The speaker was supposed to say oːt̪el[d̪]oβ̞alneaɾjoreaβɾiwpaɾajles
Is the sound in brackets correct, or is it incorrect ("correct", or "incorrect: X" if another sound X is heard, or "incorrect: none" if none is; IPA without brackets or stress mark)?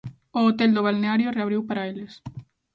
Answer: correct